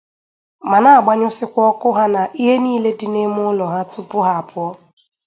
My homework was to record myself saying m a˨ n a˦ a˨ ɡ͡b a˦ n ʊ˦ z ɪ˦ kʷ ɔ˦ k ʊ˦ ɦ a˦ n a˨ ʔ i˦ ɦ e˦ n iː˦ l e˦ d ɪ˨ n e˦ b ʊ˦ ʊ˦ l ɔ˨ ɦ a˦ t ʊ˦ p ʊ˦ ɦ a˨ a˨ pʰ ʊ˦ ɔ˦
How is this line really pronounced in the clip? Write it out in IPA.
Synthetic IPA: m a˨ n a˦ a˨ ɡ͡b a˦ ɲ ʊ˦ s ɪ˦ kʷ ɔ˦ k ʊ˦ ɦ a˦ n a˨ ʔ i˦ ɦ e˦ n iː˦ l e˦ d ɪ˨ n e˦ m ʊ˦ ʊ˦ l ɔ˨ ɦ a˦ t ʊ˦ p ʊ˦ ɦ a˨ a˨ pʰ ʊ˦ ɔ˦